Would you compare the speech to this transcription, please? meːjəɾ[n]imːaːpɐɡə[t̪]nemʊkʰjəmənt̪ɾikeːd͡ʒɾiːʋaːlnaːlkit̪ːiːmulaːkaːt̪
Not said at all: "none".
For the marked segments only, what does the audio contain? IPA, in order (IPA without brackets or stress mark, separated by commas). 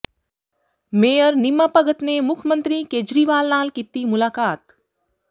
n, t̪